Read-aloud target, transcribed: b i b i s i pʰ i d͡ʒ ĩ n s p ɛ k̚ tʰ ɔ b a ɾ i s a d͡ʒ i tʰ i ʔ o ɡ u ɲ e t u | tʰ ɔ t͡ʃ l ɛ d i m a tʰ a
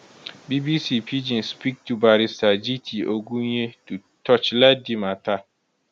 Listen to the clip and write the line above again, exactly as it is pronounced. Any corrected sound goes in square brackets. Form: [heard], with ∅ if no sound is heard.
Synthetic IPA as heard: b i b i s i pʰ i d͡ʒ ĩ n s p [i] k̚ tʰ [u] b a ɾ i s a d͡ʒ i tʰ i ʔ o ɡ u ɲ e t u | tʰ ɔ t͡ʃ l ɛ d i m a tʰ a